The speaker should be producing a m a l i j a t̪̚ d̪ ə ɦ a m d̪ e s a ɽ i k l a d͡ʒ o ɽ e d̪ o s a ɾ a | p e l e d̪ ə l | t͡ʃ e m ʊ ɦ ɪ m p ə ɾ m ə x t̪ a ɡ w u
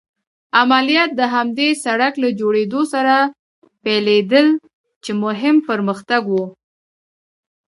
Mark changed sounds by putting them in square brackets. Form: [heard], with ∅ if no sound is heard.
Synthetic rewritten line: a m a l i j [ɑ] t̪̚ d̪ ə ɦ a m d̪ e s a ɽ [a] k l a d͡ʒ o ɽ e d̪ o s a ɾ a | p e l e d̪ ə l | t͡ʃ e m ʊ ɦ ɪ m p ə ɾ m ə x t̪ a ɡ w u